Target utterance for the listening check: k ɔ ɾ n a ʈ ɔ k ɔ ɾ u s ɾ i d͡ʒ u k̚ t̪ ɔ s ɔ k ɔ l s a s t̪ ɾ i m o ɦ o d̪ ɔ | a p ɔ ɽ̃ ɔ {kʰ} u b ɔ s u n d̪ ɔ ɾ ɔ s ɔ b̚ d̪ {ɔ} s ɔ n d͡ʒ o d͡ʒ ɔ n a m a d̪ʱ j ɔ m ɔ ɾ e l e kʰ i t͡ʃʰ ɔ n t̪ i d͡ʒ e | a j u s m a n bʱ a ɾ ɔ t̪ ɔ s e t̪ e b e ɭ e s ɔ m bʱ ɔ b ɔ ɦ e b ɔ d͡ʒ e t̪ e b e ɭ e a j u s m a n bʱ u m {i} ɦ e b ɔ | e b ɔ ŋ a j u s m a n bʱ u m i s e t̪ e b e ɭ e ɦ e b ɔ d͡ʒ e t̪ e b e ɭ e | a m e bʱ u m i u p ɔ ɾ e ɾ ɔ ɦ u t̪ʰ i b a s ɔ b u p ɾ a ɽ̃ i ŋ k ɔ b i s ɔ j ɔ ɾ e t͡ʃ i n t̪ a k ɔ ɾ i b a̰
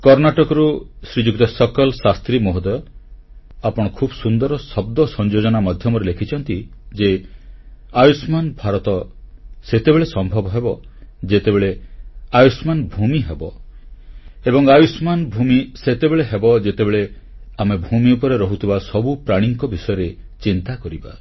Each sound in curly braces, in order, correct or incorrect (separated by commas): correct, correct, correct